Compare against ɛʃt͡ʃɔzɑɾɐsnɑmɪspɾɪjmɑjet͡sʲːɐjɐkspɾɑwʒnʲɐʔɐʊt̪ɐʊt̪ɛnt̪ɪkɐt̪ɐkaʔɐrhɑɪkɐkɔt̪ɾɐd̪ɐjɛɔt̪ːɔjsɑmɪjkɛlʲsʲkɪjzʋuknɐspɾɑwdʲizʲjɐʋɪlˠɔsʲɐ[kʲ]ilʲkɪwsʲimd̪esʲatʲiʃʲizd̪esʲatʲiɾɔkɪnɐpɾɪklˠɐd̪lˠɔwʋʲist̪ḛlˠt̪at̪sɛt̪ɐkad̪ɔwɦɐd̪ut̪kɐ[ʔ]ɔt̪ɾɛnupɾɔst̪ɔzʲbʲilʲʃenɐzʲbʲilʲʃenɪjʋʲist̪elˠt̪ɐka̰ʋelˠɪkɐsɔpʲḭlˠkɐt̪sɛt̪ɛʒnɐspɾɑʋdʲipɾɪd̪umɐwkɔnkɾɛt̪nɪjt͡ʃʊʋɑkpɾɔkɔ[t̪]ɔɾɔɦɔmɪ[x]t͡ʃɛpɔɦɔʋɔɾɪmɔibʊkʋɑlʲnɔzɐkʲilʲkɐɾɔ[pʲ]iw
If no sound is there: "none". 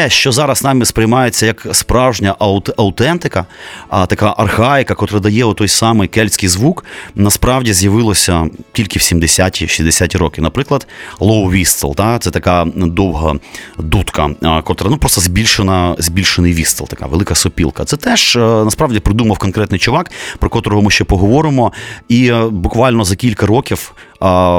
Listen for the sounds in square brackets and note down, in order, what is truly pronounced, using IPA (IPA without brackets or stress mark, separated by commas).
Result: tʲ, k, t̪, ʃ, kʲ